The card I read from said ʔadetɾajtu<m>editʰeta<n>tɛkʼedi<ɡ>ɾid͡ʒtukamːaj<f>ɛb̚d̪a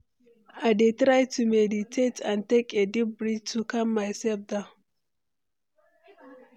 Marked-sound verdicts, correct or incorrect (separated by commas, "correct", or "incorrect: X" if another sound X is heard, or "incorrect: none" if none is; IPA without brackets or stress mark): correct, correct, incorrect: b, incorrect: s